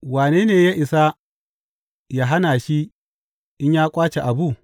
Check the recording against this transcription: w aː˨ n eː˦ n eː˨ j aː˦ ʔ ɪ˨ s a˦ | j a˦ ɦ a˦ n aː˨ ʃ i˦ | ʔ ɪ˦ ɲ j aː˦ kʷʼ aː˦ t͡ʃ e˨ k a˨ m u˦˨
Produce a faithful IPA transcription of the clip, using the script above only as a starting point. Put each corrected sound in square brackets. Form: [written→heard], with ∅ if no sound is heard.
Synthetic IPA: w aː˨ n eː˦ n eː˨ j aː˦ ʔ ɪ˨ s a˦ | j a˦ ɦ a˦ n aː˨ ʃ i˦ | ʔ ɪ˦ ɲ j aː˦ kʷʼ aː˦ t͡ʃ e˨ [k→ʔ] a˨ [m→b] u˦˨